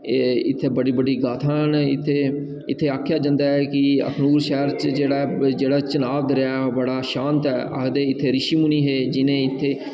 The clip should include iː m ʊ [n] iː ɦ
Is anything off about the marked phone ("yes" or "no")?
no